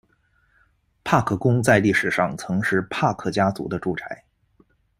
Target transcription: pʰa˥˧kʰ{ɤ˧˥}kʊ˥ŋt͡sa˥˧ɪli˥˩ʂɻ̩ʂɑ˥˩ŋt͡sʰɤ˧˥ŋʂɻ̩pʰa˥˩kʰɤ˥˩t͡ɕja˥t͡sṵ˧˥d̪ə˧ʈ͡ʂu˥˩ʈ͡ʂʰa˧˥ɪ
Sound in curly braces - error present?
yes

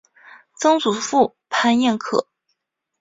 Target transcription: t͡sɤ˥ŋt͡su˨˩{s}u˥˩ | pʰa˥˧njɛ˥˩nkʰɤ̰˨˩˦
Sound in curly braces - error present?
yes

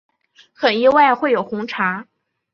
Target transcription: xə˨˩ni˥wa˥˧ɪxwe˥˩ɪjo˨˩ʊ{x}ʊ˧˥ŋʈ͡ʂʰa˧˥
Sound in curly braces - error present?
no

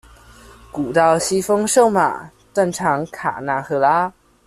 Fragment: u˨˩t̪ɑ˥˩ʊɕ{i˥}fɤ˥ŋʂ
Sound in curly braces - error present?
no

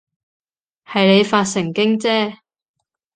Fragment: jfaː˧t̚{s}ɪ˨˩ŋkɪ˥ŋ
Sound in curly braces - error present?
no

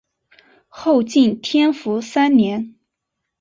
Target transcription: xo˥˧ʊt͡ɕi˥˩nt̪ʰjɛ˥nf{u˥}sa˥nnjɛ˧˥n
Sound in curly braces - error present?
yes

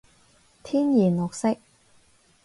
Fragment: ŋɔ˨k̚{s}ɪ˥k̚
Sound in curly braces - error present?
no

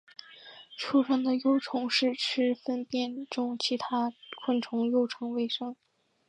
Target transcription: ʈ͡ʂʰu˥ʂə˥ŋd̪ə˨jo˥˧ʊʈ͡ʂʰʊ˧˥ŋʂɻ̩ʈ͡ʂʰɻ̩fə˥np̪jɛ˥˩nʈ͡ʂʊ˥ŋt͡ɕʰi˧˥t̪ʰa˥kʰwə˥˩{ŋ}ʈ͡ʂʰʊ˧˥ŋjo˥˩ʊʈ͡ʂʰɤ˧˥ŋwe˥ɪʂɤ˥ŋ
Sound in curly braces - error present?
yes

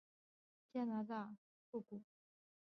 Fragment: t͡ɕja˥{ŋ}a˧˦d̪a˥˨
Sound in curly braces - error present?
yes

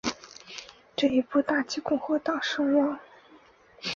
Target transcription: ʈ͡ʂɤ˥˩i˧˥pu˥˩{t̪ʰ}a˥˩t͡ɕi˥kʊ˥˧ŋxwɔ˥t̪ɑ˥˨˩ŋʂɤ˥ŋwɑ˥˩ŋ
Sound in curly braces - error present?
yes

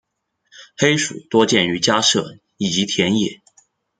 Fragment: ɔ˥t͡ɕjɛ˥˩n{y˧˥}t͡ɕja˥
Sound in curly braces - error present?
no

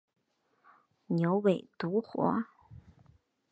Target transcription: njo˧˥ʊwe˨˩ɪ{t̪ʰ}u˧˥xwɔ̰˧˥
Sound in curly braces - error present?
yes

